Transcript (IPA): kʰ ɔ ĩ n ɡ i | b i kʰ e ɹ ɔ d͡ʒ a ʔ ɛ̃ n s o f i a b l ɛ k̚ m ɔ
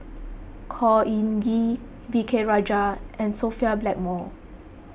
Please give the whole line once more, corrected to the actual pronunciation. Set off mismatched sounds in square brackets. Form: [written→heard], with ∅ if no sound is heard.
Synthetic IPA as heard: kʰ ɔ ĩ n ɡ i | [b→v] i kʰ e ɹ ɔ d͡ʒ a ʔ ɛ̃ n s o f i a b l ɛ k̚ m ɔ